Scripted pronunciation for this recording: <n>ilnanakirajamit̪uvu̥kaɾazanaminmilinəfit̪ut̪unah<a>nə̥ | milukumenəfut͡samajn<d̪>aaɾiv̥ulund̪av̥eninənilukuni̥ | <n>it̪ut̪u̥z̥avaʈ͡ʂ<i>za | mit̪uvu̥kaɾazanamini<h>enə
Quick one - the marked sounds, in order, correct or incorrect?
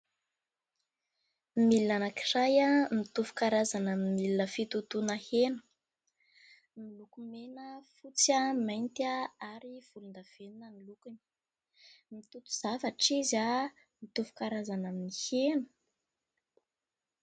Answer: incorrect: m, incorrect: e, incorrect: t̪, incorrect: m, correct, correct

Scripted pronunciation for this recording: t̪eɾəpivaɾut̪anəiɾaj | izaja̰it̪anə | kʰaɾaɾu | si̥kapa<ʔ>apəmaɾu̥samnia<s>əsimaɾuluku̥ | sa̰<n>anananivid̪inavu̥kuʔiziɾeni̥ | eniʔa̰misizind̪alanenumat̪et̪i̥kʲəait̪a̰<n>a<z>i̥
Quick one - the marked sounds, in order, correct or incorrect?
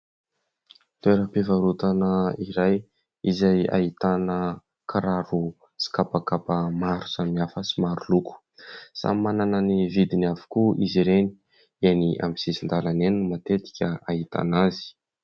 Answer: incorrect: k, incorrect: f, incorrect: m, correct, correct

